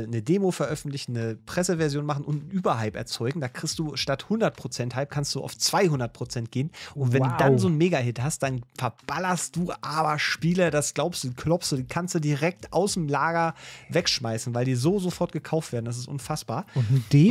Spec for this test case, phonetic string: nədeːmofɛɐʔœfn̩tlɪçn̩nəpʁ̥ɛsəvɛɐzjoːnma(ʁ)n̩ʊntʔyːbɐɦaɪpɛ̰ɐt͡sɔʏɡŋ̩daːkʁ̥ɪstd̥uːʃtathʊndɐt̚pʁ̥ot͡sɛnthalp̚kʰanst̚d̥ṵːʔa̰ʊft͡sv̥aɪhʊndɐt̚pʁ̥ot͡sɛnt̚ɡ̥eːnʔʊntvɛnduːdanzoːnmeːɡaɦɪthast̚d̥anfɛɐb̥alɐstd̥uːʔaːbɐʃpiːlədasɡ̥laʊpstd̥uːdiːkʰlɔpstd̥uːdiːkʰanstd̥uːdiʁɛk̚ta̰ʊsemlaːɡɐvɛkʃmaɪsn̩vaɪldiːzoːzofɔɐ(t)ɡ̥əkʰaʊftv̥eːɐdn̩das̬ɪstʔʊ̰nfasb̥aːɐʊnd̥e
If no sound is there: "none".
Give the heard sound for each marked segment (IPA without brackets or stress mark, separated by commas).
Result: χ, t